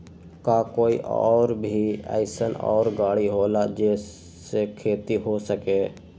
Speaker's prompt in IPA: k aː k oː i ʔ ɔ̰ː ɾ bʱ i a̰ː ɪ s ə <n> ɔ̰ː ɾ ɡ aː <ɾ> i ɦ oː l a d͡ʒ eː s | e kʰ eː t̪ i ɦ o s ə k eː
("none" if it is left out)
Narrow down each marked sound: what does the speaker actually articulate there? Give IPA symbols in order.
n, ɽ

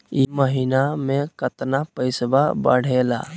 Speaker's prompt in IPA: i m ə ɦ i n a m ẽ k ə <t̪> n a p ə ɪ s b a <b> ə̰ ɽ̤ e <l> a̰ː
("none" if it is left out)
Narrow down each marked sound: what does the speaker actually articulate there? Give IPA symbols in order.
t̪, b, l

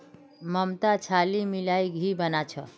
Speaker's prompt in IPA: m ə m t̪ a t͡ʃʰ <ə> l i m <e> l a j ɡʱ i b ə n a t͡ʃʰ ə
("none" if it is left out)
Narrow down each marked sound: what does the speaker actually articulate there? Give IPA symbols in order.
a, i

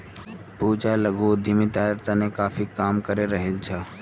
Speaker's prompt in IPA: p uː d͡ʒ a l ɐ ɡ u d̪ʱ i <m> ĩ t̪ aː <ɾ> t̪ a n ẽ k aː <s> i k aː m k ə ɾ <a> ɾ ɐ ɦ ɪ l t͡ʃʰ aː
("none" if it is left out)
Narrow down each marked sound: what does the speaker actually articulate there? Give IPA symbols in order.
m, ɾ, f, e

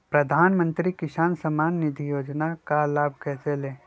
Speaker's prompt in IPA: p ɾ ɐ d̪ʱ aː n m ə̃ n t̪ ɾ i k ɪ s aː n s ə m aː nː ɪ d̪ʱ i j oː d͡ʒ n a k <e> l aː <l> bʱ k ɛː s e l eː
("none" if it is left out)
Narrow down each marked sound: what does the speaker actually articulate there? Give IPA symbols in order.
a, none

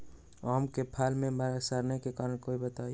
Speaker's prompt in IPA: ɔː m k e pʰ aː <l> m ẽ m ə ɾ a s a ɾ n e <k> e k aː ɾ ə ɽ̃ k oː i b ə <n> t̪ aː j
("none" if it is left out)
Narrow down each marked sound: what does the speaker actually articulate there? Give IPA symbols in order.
l, k, none

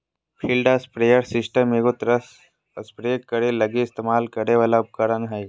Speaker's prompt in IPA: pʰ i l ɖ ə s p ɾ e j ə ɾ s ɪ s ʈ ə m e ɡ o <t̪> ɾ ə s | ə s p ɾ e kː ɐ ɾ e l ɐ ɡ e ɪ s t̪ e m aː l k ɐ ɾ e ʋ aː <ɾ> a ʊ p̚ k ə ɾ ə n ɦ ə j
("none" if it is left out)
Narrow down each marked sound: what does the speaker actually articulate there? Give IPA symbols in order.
t̪, l

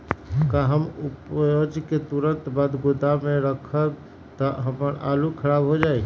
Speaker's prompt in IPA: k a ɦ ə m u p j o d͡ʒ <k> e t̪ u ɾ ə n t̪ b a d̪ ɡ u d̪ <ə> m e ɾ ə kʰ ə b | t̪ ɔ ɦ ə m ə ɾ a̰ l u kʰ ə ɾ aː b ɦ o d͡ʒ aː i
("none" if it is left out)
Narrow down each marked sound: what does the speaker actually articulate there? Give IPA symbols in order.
k, a

